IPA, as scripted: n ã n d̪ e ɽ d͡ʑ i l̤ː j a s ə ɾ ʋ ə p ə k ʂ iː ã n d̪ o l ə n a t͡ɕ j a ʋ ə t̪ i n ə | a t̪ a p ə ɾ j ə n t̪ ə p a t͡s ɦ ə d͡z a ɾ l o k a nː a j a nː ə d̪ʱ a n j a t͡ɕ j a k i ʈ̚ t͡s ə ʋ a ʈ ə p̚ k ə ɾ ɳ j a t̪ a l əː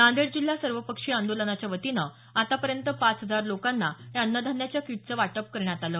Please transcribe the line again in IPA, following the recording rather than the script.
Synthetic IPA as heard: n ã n d̪ e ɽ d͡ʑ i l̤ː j a s ə ɾ ʋ ə p ə k ʂ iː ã n d̪ o l ə n a t͡ɕ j a ʋ ə t̪ i n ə | a t̪ a p ə ɾ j ə n t̪ ə p a t͡s ɦ ə d͡z a ɾ l o k a nː a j a nː ə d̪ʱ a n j a t͡ɕ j a k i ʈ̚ t͡s ə ʋ a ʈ ə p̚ k ə ɾ ɳ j a t̪ a l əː